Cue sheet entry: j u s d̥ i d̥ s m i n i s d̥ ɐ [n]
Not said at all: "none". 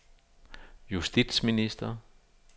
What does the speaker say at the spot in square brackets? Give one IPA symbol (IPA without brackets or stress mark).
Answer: none